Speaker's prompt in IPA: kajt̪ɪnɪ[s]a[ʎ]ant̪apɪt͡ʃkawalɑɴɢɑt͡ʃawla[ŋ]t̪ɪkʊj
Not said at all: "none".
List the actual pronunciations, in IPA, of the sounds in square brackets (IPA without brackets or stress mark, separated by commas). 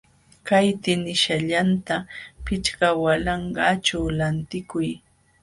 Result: ʃ, ʎ, n